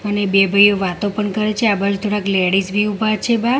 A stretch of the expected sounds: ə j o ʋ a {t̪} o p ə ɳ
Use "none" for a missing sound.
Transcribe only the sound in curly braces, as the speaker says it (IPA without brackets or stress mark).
t̪